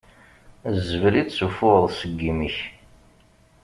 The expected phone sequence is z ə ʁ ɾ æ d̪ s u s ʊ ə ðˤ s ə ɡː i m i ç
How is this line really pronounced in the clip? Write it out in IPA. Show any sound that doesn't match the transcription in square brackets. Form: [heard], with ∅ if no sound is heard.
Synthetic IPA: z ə [v] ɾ [i] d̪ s u [f] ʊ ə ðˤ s ə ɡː i m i ç